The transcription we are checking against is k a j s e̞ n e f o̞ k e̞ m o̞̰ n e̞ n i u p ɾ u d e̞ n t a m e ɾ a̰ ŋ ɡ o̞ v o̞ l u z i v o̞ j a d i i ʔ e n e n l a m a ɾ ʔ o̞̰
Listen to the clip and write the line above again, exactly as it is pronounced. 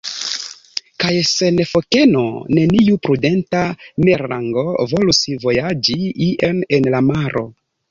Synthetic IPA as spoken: k a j s e̞ n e f o̞ k e̞ n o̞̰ n e̞ n i u p ɾ u d e̞ n t a m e ɾ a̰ ŋ ɡ o̞ v o̞ l u s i v o̞ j a d͡ʒ i i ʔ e n e n l a m a ɾ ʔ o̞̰